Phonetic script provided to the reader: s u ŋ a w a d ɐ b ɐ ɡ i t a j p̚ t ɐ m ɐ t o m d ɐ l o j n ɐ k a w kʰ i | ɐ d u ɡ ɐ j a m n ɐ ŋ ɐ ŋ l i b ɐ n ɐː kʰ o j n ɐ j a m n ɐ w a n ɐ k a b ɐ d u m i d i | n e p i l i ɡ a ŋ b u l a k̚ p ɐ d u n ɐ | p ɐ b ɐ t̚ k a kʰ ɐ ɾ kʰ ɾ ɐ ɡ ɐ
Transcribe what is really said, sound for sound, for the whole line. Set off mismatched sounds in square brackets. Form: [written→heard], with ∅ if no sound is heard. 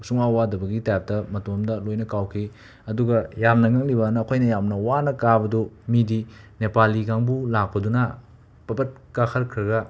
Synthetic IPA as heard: s u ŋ a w a d ɐ b ɐ ɡ i t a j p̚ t ɐ m ɐ t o m d ɐ l o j n ɐ k a w kʰ i | ɐ d u ɡ ɐ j a m n ɐ ŋ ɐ ŋ l i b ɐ n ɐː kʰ o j n ɐ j a m n ɐ w a n ɐ k a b ɐ d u m i d i | n e p [i→a] l i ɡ a ŋ b u l a k̚ p ɐ d u n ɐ | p ɐ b ɐ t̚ k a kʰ ɐ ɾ kʰ ɾ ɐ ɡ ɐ